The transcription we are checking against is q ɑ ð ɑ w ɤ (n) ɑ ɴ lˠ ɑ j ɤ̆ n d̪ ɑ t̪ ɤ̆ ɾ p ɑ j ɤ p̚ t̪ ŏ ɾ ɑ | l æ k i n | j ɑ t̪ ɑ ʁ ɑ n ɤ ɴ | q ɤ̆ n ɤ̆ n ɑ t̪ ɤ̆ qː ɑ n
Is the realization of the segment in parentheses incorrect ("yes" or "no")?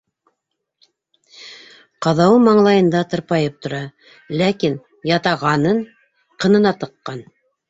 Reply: yes